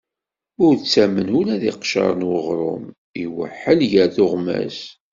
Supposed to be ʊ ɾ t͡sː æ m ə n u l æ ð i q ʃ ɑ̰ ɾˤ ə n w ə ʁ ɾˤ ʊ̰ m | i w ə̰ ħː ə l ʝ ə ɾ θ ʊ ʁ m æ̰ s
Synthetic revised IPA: ʊ ɾ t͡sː æ m ə n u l æ ð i q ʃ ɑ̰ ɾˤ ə n w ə ʁ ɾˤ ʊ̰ m | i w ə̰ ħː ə l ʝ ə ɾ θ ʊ ʁ m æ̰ s